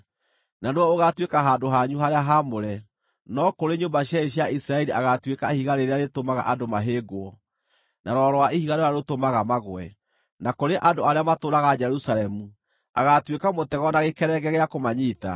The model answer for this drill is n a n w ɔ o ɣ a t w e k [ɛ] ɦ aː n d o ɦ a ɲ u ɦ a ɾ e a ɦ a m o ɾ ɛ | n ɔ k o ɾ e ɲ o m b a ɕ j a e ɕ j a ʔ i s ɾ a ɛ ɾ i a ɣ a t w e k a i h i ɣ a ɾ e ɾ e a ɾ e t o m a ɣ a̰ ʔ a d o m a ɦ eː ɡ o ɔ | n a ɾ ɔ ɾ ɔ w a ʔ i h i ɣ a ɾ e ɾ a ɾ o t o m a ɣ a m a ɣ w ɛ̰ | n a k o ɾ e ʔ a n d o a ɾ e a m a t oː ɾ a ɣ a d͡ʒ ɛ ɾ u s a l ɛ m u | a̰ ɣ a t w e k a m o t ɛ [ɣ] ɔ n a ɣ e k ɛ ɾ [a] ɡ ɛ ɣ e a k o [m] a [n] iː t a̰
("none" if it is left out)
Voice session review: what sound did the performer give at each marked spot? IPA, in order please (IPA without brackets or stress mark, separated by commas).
a, ɣ, ɛ, m, ɲ